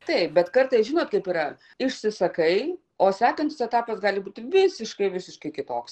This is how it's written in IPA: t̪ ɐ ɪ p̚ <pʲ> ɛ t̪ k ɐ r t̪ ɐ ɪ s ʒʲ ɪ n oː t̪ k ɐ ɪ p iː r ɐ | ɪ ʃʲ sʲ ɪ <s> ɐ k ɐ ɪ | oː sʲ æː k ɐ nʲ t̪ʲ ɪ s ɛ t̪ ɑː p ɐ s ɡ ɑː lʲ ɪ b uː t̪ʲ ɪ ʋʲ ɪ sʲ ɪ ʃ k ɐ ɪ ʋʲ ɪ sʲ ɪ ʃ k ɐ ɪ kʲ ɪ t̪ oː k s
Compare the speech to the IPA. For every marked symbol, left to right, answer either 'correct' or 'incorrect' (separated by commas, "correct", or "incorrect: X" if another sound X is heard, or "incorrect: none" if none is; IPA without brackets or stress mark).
incorrect: bʲ, correct